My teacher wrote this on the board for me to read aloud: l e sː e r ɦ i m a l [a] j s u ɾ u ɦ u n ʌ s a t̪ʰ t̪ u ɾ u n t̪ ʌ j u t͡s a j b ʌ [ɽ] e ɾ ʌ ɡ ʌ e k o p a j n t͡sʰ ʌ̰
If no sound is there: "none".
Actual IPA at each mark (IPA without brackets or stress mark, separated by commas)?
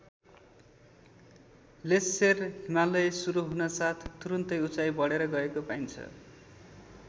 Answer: ʌ, ɽ